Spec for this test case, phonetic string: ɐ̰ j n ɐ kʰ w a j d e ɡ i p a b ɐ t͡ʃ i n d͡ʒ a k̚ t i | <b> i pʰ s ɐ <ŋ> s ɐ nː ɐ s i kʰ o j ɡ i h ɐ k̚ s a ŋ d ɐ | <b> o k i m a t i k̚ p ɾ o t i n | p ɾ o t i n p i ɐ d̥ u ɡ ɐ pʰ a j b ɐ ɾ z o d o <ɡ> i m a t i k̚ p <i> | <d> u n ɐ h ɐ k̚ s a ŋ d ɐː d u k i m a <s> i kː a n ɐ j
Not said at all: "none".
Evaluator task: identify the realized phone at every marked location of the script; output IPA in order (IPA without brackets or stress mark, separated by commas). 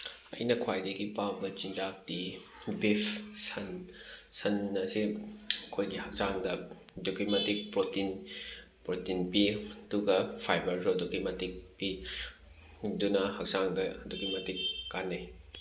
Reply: b, n, d, k, i, d, t